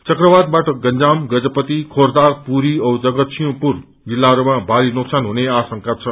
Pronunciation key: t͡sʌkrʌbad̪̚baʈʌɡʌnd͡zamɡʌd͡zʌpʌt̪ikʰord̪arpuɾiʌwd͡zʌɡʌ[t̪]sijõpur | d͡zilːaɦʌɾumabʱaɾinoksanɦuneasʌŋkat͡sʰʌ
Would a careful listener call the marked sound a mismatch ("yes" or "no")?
no